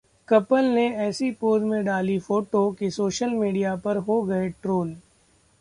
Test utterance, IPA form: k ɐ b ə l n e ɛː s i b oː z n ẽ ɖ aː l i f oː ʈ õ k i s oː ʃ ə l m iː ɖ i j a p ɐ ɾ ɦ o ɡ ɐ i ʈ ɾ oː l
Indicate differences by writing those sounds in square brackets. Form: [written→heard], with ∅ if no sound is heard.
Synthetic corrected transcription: k ɐ [b→p] ə l n e ɛː s i [b→p] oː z [n→m] ẽ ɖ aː l i f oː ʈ [õ→o] k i s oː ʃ ə l m iː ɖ i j a p ɐ ɾ ɦ o ɡ ɐ [i→e] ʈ ɾ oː l